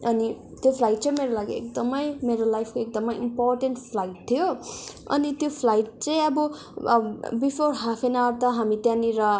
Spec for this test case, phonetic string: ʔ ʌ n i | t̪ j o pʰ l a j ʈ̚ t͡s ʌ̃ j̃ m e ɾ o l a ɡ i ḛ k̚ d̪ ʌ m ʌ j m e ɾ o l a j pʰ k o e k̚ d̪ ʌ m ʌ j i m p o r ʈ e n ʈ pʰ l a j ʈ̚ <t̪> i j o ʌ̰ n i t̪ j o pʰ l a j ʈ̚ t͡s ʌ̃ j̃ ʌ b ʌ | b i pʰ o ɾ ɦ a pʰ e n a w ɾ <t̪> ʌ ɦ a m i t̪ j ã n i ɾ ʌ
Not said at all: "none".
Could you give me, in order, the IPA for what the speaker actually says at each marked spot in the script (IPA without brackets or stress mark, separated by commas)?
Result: t̪ʰ, t̪